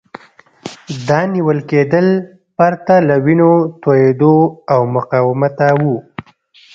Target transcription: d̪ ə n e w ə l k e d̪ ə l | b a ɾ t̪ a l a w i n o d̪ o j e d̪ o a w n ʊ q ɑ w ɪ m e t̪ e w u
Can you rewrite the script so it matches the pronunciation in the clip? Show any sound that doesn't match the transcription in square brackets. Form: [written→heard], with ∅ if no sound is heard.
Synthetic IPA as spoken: d̪ [ə→ɑ] n [e→i] w ə l k e d̪ ə l | [b→p] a ɾ t̪ a l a w i n o [d̪→t̪] o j e d̪ o a w [n→m] ʊ q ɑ w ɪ m [e→a] t̪ [e→a] w u